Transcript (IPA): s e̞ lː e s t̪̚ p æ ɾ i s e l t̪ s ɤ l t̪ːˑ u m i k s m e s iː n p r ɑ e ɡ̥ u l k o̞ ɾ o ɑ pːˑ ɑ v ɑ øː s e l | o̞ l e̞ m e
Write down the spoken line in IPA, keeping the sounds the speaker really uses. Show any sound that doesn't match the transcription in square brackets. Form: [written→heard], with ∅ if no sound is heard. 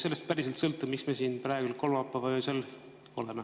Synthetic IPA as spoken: s e̞ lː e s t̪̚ p æ ɾ i s e l t̪ s ɤ l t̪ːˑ u m i k s m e s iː n p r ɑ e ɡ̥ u l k o̞ [ɾ→l] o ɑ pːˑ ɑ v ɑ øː s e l | o̞ l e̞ m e